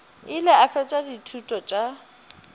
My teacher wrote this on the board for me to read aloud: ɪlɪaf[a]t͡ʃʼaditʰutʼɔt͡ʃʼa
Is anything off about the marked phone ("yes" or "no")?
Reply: yes